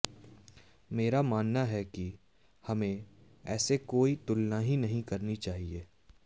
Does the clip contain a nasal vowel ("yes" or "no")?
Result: yes